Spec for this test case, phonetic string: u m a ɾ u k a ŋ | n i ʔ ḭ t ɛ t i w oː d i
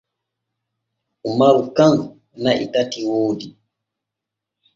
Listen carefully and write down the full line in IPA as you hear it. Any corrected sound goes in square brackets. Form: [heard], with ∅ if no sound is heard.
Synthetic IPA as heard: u m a ɾ u k a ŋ | n [a] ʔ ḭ t [a] t i w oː d i